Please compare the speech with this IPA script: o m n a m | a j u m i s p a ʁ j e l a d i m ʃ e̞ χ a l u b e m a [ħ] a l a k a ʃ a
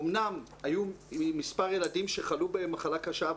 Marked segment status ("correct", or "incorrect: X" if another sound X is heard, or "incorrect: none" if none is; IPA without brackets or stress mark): incorrect: χ